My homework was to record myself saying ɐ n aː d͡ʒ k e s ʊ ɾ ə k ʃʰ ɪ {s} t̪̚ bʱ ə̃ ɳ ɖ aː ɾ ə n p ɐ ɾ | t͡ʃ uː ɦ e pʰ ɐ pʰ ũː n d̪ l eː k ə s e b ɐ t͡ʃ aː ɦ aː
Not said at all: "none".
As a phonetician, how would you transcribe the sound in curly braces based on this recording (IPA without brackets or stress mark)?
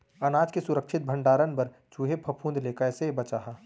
none